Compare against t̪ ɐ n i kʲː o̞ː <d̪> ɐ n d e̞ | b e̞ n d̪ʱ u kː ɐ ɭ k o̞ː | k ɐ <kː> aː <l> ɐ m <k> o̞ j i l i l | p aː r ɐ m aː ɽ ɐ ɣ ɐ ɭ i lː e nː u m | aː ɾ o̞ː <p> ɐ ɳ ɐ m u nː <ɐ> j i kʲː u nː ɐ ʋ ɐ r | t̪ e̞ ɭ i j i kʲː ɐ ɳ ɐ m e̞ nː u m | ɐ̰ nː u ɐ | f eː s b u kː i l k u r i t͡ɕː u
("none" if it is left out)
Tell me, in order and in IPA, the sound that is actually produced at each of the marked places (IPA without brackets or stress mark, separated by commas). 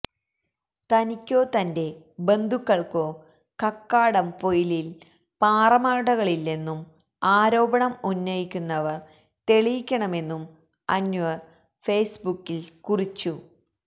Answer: t̪, kː, ɽ, p, b, ɐ